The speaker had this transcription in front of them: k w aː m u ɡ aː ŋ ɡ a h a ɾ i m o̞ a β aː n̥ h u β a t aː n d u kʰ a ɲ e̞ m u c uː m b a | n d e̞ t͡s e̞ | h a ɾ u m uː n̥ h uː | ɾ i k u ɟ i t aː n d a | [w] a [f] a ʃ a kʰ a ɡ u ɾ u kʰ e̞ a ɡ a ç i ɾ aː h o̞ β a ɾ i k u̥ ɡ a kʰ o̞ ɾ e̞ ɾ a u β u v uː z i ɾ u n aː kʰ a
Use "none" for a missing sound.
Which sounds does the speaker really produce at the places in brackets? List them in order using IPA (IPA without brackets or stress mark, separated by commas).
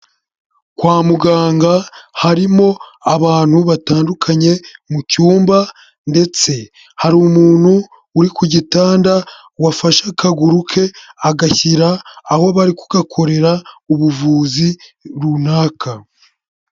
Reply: w, f